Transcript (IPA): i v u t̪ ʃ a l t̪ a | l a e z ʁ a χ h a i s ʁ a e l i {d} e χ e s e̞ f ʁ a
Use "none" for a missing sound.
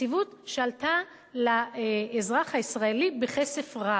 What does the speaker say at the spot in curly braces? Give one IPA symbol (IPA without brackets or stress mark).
b